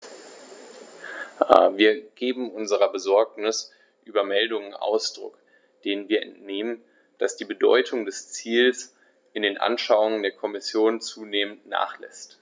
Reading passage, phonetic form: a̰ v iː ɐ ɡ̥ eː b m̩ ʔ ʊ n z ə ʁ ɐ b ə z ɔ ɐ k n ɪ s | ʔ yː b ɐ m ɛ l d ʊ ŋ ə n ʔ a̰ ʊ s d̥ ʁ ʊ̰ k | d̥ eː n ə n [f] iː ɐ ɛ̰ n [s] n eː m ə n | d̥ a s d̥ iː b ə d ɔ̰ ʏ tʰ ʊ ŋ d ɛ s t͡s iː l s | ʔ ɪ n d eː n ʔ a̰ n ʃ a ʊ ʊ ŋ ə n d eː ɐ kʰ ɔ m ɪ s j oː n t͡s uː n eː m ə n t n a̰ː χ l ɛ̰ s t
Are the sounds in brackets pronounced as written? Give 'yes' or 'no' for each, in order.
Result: no, no

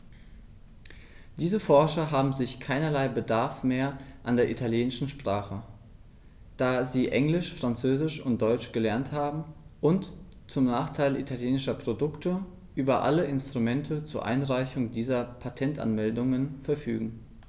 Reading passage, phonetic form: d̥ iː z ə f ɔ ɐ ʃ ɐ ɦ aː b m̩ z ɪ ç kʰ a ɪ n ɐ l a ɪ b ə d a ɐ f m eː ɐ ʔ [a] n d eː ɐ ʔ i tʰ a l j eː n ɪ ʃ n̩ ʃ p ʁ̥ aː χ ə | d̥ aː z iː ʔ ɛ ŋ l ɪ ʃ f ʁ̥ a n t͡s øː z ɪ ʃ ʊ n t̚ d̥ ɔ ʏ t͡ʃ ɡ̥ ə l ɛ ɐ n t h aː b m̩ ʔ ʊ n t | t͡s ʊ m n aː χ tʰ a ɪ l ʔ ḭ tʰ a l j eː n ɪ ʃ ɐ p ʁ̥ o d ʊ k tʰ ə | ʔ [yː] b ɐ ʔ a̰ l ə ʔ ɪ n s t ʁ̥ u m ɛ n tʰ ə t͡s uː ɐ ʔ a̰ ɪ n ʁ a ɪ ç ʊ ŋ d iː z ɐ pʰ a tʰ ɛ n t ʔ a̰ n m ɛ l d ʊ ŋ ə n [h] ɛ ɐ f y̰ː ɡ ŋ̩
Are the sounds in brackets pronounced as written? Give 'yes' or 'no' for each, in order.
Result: yes, yes, no

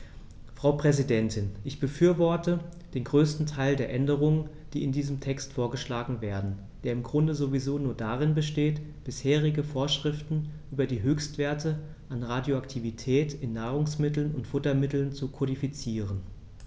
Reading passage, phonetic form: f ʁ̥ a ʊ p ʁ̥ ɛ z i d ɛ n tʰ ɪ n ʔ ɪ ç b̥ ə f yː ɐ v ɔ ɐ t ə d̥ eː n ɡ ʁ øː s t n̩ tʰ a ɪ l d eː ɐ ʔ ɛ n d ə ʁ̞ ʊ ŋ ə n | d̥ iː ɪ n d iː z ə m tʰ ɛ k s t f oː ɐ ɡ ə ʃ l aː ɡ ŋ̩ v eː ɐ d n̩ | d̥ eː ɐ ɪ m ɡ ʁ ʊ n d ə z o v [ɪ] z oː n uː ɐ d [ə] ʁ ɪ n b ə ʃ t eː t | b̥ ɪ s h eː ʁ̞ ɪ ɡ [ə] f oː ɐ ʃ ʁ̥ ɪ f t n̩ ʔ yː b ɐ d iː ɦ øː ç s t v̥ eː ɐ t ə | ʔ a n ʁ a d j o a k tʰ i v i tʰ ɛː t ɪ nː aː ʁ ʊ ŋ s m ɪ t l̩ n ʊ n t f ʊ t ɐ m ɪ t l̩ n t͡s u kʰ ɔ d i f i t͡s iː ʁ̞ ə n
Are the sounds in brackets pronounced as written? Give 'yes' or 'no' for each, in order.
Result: no, no, yes

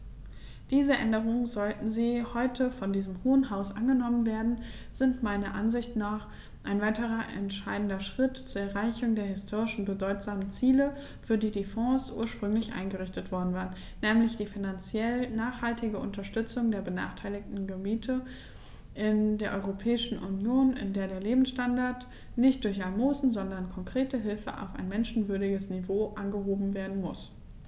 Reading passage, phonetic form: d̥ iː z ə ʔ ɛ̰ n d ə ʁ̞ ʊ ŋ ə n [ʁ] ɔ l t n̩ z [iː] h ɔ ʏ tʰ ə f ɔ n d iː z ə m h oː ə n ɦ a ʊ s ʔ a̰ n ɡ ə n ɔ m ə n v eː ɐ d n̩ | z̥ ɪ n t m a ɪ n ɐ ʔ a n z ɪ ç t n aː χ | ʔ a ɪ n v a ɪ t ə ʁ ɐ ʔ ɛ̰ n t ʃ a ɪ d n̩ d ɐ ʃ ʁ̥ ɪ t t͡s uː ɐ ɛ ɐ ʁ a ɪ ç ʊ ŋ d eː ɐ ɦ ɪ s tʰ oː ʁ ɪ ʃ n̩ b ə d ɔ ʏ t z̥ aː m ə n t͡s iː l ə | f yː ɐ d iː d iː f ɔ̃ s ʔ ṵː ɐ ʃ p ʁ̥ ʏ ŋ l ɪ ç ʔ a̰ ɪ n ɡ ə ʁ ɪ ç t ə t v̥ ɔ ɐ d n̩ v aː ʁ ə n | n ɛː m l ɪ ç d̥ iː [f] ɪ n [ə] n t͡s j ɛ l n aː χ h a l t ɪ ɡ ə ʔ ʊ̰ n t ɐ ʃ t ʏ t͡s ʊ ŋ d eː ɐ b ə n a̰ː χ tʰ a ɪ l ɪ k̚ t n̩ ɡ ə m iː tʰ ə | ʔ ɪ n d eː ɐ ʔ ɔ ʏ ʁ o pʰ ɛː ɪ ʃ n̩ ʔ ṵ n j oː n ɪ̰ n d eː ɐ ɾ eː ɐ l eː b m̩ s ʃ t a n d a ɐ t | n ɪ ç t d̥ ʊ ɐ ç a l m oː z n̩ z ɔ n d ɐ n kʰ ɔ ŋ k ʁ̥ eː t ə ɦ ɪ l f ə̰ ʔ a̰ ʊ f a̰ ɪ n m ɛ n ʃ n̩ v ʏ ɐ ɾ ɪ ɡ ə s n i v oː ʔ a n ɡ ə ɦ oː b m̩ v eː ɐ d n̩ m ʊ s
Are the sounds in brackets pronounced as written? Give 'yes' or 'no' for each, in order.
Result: no, yes, yes, no

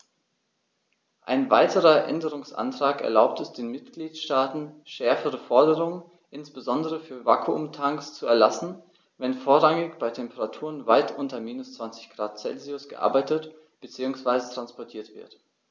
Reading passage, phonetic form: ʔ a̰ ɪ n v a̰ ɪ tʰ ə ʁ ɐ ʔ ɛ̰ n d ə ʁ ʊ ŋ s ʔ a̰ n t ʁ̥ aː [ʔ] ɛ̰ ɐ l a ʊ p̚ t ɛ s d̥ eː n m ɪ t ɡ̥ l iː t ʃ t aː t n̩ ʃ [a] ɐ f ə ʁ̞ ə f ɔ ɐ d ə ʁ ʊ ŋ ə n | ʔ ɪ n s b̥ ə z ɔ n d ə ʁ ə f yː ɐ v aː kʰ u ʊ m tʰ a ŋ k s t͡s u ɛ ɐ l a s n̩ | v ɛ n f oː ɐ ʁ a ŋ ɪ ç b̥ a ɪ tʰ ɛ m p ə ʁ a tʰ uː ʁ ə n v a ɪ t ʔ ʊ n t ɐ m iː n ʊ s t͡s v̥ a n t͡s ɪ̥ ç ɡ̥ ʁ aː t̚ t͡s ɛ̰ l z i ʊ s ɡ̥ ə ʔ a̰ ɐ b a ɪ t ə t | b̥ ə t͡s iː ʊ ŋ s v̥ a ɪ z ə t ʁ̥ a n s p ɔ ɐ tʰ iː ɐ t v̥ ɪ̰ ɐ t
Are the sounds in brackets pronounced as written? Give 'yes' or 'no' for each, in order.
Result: no, no

